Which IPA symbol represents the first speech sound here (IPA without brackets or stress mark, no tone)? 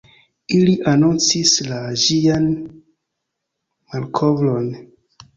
i